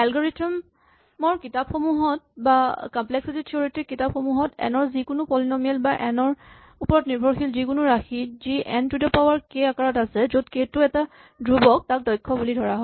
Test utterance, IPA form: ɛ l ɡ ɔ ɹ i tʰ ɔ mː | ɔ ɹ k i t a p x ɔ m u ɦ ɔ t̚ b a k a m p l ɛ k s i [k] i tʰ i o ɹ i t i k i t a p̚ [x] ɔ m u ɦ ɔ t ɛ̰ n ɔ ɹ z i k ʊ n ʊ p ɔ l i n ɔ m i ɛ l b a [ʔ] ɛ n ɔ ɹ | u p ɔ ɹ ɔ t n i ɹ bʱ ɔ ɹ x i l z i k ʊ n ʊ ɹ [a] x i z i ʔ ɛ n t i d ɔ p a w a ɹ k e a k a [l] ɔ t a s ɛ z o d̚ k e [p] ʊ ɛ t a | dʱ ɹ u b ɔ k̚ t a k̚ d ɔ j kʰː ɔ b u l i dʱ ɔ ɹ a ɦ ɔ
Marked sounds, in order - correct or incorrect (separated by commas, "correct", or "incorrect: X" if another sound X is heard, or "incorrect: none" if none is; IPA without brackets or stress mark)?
incorrect: t, correct, correct, correct, incorrect: ɹ, incorrect: t